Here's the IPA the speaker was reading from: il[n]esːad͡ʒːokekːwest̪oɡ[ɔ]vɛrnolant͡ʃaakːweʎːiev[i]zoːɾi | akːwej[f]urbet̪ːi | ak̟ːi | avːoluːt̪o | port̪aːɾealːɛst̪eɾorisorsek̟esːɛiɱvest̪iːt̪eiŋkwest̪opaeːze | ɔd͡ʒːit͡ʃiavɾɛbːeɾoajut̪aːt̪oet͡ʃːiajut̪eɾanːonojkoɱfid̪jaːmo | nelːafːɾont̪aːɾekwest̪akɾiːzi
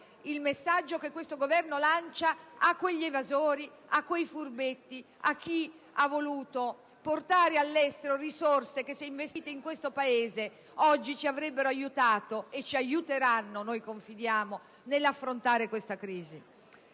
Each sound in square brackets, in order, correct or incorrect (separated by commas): incorrect, incorrect, incorrect, correct